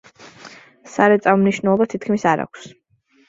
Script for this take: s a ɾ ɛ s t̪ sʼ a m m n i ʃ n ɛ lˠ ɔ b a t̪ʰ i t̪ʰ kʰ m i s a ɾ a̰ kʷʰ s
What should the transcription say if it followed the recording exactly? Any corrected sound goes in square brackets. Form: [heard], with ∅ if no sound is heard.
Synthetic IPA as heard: s a ɾ ɛ [∅] t̪ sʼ a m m n i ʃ n ɛ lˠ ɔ b a t̪ʰ i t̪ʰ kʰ m i s a ɾ a̰ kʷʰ s